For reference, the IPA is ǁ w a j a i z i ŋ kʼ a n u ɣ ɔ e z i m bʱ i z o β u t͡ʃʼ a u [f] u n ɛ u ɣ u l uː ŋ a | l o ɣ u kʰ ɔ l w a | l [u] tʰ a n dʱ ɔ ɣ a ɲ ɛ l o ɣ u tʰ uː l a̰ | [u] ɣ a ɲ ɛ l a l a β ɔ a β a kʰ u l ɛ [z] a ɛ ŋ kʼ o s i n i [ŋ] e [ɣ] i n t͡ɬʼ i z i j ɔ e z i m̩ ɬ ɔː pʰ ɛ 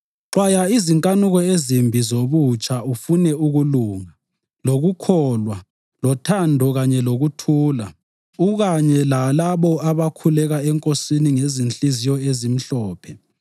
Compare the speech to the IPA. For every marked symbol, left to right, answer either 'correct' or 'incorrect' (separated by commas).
correct, incorrect, correct, incorrect, correct, incorrect